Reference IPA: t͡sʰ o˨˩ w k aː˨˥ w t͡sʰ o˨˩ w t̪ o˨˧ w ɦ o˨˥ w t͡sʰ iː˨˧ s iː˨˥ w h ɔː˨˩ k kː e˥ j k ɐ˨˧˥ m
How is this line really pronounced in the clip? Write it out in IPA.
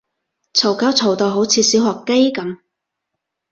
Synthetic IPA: t͡sʰ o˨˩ w k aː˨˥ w t͡sʰ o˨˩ w t̪ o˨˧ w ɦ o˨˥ w t͡sʰ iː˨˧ s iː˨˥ w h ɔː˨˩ k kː e˥ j k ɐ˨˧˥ m